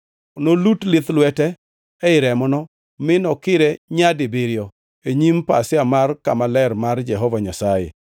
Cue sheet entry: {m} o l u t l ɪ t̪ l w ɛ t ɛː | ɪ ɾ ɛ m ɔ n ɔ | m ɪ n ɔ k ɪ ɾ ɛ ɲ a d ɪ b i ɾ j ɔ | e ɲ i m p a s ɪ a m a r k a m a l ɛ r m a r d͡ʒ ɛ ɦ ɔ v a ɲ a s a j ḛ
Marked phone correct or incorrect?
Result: incorrect: n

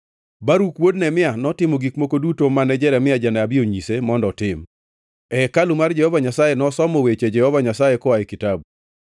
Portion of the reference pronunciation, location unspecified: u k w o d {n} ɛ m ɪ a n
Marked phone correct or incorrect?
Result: correct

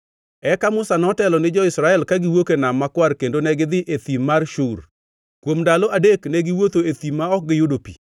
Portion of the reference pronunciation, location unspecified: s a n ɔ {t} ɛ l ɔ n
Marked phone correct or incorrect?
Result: correct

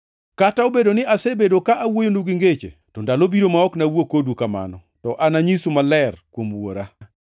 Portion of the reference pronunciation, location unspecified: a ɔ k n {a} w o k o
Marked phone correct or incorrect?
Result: correct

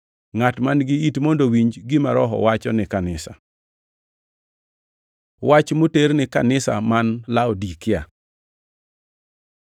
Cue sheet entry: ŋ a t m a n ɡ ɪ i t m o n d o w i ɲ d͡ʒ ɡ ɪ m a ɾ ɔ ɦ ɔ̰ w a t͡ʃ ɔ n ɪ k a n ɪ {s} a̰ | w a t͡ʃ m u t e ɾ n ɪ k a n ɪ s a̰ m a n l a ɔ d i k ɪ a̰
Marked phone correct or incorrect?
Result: correct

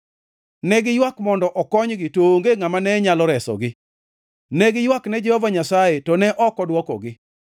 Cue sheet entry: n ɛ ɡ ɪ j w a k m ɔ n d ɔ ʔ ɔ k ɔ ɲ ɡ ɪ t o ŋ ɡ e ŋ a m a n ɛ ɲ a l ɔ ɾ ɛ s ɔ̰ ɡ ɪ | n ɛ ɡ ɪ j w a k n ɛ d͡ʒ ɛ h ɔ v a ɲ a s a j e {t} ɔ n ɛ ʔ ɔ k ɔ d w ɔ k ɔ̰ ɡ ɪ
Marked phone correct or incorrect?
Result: correct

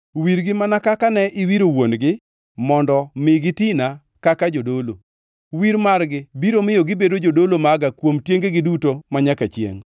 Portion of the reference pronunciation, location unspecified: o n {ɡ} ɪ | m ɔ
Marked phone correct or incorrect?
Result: correct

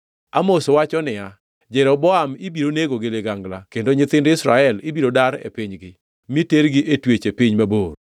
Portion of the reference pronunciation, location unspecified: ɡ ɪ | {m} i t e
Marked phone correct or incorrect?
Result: correct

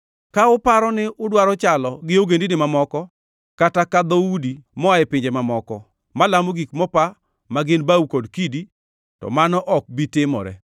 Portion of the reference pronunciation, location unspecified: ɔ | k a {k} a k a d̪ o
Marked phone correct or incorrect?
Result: incorrect: t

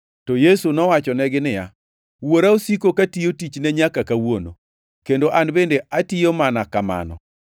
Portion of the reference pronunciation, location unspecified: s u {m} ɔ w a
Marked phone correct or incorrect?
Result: incorrect: n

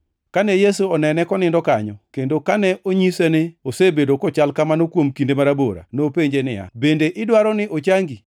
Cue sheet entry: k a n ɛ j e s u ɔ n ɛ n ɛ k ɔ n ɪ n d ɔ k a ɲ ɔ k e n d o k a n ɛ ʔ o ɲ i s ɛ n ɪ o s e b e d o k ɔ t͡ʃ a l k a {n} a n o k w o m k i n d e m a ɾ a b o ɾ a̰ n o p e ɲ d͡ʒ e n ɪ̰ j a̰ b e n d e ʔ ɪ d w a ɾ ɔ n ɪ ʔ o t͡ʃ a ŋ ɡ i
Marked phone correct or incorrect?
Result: incorrect: m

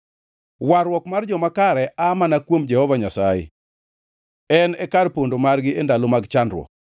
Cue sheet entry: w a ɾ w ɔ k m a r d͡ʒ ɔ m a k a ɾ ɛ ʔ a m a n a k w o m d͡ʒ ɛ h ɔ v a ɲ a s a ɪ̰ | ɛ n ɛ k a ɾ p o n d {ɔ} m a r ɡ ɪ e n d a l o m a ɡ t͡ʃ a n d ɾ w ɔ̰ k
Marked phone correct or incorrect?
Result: incorrect: o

